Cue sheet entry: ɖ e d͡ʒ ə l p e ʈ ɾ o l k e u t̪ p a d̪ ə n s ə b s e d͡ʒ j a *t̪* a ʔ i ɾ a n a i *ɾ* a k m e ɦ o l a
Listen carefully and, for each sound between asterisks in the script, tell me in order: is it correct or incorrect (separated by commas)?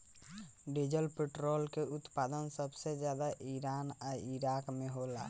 incorrect, correct